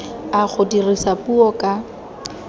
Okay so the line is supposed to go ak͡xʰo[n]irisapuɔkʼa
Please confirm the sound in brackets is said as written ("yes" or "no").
no